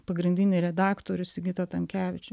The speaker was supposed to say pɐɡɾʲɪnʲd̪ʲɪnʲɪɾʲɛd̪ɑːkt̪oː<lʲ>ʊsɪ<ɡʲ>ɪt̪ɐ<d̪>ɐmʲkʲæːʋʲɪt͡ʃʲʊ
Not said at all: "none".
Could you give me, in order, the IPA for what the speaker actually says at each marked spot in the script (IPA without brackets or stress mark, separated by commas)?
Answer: ɾʲ, ɡʲ, t̪